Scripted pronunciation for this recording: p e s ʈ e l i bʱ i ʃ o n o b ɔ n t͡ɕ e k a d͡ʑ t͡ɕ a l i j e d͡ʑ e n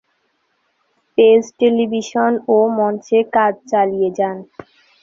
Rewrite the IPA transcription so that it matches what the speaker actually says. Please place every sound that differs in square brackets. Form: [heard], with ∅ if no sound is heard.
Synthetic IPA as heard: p e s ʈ e l i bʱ i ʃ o n o [m] ɔ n t͡ɕ e k a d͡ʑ t͡ɕ a l i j e d͡ʑ [a] n